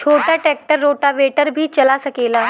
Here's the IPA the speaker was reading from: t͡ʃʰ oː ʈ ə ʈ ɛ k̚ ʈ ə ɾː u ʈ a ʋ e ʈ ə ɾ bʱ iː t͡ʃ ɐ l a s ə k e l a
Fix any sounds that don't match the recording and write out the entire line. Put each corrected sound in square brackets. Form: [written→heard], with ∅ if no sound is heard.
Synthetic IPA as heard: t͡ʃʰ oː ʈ [ə→a] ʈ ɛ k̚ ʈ ə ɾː [u→o] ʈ a ʋ e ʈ ə ɾ bʱ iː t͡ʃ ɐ l a s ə k e l a